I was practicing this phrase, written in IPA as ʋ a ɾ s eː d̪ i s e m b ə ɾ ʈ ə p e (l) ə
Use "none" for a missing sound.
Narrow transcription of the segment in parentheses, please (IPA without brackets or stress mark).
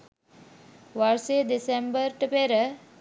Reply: ɾ